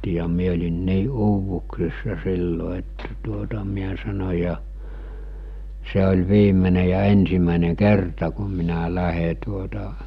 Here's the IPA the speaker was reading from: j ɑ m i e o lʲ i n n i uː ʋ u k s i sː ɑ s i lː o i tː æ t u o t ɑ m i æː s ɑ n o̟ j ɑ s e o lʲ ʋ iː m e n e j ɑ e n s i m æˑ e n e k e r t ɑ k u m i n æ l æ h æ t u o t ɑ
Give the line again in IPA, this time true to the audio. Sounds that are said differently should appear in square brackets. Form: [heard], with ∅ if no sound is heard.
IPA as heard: j ɑ m i e o lʲ i n n [iː] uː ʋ u k s i sː ɑ s i lː o [e] tː æ t u o t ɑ m i [æ] s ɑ n o̟ j ɑ s e o lʲ ʋ iː m e n e j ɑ e n s i m æˑ e n e k e r t ɑ k u m i n æ l æ h [e] t u o t ɑ